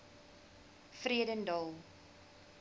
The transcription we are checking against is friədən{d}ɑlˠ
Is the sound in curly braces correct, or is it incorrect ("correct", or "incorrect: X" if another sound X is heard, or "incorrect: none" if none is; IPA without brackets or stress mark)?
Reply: correct